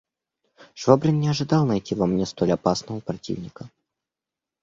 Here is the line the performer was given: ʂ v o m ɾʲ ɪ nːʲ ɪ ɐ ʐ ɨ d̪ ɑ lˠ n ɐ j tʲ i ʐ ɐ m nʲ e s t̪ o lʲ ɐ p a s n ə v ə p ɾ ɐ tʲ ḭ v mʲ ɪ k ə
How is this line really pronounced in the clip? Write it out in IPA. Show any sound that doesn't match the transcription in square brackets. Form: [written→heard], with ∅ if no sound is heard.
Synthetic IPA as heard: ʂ v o [m→b] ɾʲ ɪ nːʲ ɪ ɐ ʐ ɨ d̪ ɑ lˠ n ɐ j tʲ i [ʐ→v] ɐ m nʲ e s t̪ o lʲ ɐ p a s n ə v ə p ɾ ɐ tʲ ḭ v [mʲ→nʲ] ɪ k ə